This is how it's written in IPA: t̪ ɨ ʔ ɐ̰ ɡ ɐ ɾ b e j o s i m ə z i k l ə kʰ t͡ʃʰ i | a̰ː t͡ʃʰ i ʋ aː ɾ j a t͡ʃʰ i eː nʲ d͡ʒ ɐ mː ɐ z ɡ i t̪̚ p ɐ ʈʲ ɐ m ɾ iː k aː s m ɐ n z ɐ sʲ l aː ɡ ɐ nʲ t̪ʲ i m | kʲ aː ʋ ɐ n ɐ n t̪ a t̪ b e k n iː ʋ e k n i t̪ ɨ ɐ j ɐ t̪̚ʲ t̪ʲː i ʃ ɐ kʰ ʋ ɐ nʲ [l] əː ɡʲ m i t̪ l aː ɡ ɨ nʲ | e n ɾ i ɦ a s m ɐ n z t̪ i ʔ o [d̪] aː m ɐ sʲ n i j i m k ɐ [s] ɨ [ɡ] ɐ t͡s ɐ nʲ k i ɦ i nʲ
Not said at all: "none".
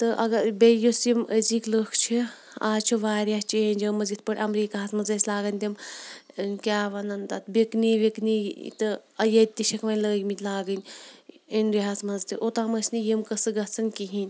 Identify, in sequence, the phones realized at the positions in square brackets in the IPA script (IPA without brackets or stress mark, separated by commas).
l, t̪, s, ɡ